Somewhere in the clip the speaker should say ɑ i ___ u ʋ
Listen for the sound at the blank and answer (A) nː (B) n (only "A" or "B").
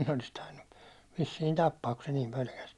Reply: A